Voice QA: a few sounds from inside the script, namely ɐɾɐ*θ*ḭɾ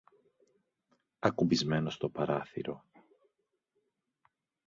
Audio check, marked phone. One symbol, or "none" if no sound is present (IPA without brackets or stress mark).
θ